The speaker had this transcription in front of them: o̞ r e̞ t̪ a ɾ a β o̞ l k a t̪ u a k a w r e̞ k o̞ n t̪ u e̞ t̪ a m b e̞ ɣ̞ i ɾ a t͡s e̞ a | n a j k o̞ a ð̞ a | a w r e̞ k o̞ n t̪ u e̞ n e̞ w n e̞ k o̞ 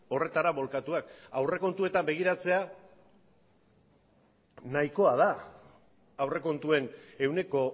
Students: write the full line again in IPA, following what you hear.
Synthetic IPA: o̞ r e̞ t̪ a ɾ a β o̞ l k a t̪ u a k a w r e̞ k o̞ n t̪ u e̞ t̪ a m b e̞ ɣ̞ i ɾ a t͡s e̞ a | n a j k o̞ a ð̞ a | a w r e̞ k o̞ n t̪ u e̞ n e̞ w n e̞ k o̞